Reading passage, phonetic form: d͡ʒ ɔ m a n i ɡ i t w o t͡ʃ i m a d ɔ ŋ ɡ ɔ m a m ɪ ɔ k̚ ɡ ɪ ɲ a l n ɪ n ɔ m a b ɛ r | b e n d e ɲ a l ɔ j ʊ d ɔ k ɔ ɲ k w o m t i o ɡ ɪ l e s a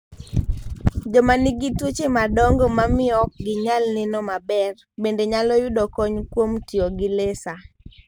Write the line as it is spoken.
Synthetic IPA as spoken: d͡ʒ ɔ m a n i ɡ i t w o t͡ʃ e m a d ɔ ŋ ɡ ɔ m a m ɪ ɔ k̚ ɡ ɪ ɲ a l n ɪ n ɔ m a b ɛ r | b e n d e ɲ a l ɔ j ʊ d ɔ k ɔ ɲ k w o m t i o ɡ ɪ l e s a